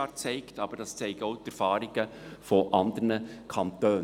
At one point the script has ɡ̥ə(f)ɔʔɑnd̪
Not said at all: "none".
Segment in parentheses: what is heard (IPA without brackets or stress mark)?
f